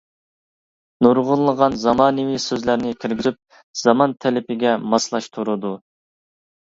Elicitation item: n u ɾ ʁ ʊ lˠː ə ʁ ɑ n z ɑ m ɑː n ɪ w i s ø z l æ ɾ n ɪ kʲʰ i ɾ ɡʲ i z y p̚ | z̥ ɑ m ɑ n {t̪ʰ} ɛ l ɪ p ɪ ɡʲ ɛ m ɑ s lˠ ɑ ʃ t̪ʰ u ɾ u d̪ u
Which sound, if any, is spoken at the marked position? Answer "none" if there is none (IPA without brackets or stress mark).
t̪ʰ